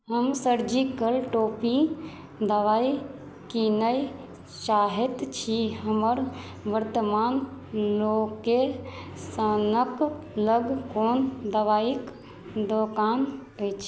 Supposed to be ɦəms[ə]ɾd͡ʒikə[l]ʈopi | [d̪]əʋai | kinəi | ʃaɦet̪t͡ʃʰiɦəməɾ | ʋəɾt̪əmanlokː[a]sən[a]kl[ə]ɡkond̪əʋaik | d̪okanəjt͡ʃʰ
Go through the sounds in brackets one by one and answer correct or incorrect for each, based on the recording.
correct, correct, correct, incorrect: e, incorrect: ə, correct

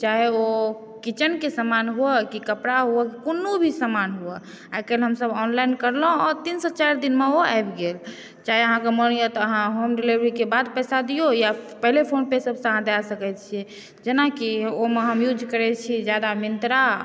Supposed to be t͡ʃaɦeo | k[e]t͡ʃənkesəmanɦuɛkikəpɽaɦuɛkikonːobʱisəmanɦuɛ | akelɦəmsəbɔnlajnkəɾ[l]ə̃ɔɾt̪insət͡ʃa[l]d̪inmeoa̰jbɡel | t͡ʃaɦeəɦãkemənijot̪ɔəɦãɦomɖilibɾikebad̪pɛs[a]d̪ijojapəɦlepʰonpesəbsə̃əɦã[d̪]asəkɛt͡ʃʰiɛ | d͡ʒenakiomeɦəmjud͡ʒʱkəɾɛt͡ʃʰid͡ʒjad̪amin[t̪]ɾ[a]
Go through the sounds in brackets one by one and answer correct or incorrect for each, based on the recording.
incorrect: i, correct, incorrect: ɾ, correct, correct, correct, correct

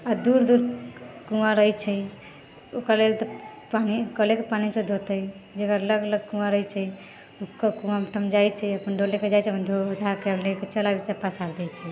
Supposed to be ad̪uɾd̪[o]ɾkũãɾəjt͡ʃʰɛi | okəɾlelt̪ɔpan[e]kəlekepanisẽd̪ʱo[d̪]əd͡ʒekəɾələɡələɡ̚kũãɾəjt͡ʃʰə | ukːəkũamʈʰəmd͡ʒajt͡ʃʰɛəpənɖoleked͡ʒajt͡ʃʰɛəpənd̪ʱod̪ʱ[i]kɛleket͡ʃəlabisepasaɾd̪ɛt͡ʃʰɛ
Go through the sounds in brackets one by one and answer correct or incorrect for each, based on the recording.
incorrect: u, incorrect: i, incorrect: t̪, incorrect: a

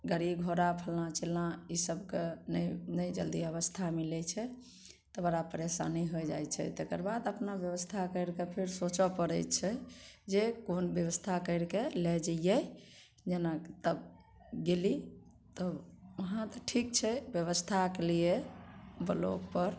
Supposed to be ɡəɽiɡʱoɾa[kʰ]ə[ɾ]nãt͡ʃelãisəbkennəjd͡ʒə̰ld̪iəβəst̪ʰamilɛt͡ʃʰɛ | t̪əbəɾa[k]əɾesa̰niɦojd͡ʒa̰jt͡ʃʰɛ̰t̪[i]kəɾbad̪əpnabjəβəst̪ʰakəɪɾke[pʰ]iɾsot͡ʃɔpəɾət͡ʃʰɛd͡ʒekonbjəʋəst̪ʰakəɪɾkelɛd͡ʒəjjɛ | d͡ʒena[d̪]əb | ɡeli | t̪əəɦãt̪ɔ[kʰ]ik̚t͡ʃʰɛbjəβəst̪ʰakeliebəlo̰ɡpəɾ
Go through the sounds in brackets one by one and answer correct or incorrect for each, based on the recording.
incorrect: pʰ, incorrect: l, incorrect: p, incorrect: e, correct, incorrect: t̪, incorrect: ʈʰ

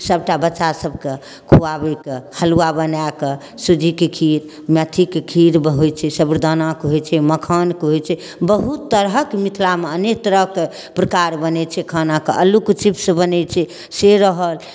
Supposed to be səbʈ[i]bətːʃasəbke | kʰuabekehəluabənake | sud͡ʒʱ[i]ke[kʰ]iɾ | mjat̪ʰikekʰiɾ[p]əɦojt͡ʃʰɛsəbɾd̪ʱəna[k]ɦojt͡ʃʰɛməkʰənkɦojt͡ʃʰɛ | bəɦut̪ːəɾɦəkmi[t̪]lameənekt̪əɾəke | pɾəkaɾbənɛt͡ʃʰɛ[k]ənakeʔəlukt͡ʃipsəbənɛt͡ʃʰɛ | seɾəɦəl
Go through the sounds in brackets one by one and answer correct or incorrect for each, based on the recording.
incorrect: a, correct, correct, incorrect: b, correct, incorrect: t̪ʰ, incorrect: kʰ

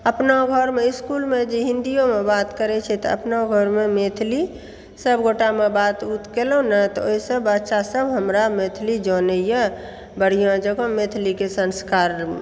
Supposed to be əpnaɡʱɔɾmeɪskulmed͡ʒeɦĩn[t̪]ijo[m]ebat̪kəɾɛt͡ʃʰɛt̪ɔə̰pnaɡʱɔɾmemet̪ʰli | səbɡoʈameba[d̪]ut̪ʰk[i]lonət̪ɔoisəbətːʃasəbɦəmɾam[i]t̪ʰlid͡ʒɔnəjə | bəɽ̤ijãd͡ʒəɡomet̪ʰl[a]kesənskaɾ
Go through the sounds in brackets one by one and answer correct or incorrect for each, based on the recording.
incorrect: d̪, correct, incorrect: t̪, incorrect: e, incorrect: e, incorrect: i

